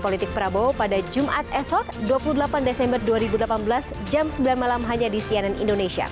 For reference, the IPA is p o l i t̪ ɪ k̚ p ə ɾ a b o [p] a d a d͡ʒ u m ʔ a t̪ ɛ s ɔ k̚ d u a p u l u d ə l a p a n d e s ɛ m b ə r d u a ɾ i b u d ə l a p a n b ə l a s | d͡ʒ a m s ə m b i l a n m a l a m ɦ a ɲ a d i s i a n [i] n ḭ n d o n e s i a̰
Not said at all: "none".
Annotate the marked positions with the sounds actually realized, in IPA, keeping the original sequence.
p, a

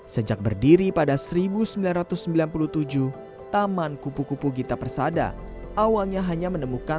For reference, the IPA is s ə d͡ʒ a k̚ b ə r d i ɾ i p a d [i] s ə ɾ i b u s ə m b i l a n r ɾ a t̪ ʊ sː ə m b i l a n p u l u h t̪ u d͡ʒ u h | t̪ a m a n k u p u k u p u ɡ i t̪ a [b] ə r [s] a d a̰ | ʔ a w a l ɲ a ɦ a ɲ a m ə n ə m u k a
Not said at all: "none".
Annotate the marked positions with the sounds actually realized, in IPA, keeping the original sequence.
a, p, s

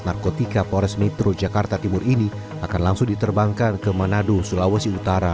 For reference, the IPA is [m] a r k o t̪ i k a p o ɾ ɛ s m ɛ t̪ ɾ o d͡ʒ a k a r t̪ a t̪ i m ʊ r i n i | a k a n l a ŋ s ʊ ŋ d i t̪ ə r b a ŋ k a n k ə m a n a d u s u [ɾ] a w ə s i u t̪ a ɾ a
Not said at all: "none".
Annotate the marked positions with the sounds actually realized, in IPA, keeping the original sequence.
n, l

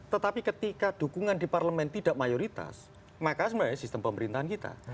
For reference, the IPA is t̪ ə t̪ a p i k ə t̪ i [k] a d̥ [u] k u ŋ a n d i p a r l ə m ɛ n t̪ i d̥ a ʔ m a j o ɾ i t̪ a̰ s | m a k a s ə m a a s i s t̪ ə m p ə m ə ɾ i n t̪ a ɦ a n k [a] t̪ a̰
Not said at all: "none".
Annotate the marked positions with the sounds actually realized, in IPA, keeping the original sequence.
k, u, i

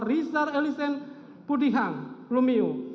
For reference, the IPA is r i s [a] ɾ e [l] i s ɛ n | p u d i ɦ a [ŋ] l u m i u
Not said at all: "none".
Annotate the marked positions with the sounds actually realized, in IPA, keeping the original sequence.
a, l, ŋ

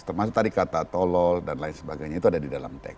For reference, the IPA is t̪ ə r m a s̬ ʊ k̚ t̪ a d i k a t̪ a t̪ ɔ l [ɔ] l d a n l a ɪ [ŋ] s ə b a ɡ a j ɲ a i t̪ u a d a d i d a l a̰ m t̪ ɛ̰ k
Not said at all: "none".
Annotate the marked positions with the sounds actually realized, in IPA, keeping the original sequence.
ɔ, n

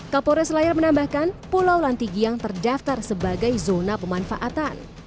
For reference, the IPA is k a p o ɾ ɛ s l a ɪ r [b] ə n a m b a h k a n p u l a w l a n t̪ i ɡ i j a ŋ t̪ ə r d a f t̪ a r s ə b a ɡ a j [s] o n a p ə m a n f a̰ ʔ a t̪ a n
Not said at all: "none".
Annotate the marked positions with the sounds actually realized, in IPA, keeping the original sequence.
m, z

